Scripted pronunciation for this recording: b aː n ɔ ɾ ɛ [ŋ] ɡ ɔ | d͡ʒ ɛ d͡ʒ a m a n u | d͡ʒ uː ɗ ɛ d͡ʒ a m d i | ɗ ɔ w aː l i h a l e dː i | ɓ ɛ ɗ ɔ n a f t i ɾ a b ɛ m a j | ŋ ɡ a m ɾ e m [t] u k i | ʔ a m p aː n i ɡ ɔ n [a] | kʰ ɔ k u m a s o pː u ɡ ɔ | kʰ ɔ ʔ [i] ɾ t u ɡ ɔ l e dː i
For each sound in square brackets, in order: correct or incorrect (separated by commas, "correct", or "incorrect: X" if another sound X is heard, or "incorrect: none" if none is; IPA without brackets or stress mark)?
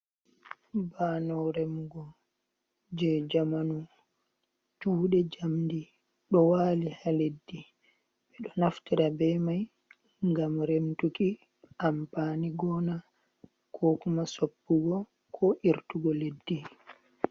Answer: incorrect: m, correct, correct, correct